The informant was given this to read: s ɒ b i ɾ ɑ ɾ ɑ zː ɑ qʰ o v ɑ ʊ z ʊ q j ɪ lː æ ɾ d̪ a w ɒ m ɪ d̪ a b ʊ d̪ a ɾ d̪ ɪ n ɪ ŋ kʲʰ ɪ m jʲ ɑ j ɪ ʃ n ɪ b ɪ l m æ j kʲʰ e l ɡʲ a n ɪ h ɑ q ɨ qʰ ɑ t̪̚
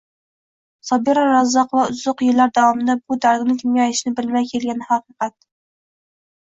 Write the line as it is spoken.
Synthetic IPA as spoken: s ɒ b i ɾ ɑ ɾ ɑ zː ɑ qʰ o v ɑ ʊ z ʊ q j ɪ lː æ ɾ d̪ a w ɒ m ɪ d̪ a b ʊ d̪ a ɾ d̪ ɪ n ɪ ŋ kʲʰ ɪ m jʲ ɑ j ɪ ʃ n ɪ b ɪ l m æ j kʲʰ e l ɡʲ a n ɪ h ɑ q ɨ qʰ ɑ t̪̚